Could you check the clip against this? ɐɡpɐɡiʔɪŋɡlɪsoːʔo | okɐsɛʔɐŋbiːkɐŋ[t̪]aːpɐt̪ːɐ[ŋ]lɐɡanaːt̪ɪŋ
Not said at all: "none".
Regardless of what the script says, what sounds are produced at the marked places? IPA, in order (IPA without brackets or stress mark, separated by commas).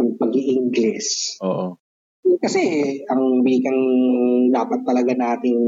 d̪, none